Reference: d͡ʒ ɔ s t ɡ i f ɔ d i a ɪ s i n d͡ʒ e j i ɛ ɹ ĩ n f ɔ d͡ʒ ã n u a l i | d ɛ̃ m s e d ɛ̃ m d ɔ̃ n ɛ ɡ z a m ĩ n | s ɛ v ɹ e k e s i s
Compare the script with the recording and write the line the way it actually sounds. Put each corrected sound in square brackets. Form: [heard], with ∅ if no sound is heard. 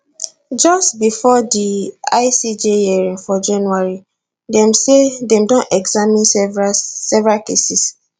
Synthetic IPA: d͡ʒ ɔ s t [b] i f ɔ d i a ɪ s i [∅] d͡ʒ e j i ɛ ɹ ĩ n f ɔ d͡ʒ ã n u a [ɹ] i | d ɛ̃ m s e d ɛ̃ m d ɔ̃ n ɛ ɡ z a m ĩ n | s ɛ v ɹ [a] k e s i s